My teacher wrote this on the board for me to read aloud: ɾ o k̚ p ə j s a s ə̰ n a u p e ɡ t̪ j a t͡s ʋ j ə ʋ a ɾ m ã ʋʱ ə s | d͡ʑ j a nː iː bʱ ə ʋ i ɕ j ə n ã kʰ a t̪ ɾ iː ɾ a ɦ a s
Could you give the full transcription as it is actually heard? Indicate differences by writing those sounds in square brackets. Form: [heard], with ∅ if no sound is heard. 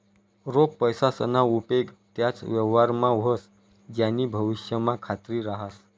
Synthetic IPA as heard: ɾ o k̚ p ə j s a s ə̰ n a u p e ɡ t̪ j a t͡s ʋ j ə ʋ a ɾ m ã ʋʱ ə s | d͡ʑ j a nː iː bʱ ə ʋ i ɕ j ə [m] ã kʰ a t̪ ɾ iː ɾ a ɦ a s